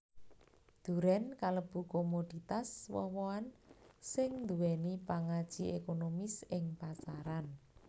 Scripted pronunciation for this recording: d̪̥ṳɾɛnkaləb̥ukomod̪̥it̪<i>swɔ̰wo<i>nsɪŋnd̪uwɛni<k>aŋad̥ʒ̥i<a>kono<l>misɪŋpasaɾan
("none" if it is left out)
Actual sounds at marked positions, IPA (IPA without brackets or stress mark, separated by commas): a, a, p, e, none